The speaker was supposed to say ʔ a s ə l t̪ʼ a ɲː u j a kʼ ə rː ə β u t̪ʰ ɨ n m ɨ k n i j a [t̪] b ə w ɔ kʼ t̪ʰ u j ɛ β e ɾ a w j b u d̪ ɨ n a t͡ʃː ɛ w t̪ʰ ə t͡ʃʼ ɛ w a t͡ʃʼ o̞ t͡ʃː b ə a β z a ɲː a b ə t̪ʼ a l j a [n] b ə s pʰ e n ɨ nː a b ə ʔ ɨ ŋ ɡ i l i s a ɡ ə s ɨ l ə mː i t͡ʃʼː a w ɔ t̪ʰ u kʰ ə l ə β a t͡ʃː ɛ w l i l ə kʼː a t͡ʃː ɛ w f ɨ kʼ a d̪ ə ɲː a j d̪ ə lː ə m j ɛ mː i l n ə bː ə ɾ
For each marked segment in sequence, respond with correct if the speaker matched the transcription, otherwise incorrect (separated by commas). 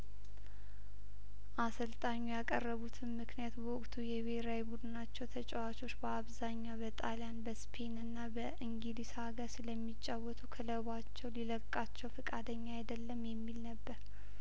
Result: correct, correct